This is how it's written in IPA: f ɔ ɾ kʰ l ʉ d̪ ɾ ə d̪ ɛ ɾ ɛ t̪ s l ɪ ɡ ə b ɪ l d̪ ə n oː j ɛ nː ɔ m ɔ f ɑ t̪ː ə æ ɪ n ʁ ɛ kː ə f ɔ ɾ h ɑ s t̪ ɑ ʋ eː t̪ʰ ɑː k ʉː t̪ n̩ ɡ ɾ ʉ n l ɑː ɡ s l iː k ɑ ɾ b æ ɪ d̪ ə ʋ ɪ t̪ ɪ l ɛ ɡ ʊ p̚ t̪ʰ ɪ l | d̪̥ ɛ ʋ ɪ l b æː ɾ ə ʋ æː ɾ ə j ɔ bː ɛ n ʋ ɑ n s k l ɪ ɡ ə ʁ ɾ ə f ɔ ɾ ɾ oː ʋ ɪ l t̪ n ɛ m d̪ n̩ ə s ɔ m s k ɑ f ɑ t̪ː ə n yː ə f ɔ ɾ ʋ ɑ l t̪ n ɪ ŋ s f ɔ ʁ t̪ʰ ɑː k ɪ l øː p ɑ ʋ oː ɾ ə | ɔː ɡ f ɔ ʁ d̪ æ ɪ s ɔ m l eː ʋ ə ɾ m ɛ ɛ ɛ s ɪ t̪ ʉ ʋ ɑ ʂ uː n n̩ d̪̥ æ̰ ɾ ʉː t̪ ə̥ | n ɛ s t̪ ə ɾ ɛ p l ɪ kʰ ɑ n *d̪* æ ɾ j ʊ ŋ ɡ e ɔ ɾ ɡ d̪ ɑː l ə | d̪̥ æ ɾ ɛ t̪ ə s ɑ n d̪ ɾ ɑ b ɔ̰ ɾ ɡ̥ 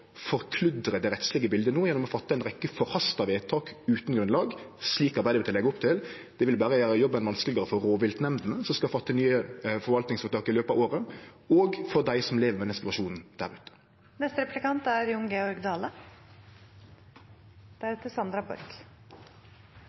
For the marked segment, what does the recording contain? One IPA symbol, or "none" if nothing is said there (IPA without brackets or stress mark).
t̪